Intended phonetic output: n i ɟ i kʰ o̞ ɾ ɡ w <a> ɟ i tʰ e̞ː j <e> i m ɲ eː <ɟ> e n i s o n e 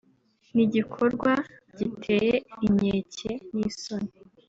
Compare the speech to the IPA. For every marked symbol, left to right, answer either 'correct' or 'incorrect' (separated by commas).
correct, correct, incorrect